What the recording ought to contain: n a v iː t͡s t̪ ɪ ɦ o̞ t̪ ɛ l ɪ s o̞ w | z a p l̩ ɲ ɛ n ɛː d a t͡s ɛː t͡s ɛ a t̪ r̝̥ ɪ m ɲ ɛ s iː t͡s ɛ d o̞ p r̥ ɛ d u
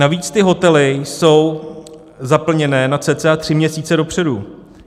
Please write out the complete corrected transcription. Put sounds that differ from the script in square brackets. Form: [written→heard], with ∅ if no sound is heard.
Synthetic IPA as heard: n a v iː t͡s t̪ ɪ ɦ o̞ t̪ ɛ l ɪ s o̞ w | z a p l̩ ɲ ɛ n ɛː [d→n] a t͡s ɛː t͡s ɛ a t̪ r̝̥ ɪ m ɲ ɛ s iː t͡s ɛ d o̞ p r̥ ɛ d u